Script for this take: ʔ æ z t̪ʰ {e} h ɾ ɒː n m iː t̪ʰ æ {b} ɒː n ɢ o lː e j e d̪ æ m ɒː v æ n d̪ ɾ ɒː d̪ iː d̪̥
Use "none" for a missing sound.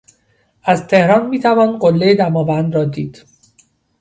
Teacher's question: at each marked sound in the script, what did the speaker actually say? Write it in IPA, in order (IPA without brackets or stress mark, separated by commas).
e, v